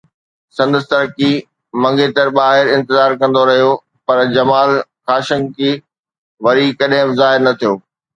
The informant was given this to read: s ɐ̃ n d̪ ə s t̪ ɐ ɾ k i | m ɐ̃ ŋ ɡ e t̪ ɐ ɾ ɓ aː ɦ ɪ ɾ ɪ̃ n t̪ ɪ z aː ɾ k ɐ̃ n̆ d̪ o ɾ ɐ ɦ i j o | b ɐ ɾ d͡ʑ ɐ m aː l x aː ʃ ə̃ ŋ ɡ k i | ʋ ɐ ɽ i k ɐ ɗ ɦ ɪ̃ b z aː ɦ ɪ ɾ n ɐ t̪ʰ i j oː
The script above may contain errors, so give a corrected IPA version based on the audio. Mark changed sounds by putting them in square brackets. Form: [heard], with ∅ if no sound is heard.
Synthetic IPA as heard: s ɐ̃ n d̪ ə s t̪ ɐ ɾ k i | m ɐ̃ ŋ ɡ e t̪ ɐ ɾ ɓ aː ɦ ɪ ɾ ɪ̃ n t̪ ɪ z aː ɾ k ɐ̃ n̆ d̪ o ɾ ɐ ɦ i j o | [p] ɐ ɾ d͡ʑ ɐ m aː l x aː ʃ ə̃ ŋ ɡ k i | ʋ ɐ [ɾ] i k ɐ ɗ ɦ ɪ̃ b z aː ɦ ɪ ɾ n ɐ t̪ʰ i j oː